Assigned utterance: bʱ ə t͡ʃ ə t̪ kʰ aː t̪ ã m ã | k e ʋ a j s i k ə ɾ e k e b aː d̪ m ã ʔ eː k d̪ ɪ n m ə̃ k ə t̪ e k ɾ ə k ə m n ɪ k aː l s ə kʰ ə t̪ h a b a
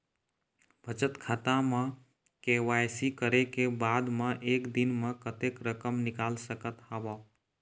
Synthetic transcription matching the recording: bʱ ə t͡ʃ ə t̪ kʰ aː t̪ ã m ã | k e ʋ a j s i k ə ɾ e k e b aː d̪ m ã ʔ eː k d̪ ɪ n m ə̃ k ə t̪ e k ɾ ə k ə m n ɪ k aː l s ə k ə t̪ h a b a